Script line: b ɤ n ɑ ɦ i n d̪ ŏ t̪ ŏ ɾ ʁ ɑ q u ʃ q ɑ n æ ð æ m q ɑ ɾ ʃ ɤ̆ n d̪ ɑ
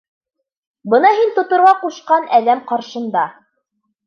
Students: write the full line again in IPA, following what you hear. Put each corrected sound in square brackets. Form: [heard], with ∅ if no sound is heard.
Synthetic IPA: b ɤ n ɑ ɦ i n [t̪] ŏ t̪ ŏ ɾ ʁ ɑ q u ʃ q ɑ n æ ð æ m q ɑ ɾ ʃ ɤ̆ n d̪ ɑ